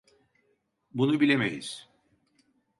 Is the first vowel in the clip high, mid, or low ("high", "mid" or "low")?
high